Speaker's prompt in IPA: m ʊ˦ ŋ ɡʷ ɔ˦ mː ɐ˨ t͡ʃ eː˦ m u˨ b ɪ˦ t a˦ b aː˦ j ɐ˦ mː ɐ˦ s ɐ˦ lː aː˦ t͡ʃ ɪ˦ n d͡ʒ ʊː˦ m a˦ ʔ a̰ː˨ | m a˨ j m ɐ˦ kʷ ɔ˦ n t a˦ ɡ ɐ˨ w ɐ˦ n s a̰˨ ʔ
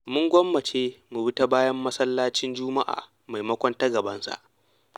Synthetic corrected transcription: m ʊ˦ ŋ ɡʷ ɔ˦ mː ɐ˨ t͡ʃ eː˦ m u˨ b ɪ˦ t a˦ b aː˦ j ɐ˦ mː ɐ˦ s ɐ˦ lː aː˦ t͡ʃ ɪ˦ n d͡ʒ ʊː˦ m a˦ ʔ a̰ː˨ | m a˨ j m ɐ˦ kʷ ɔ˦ n t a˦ ɡ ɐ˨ b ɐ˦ n s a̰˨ ʔ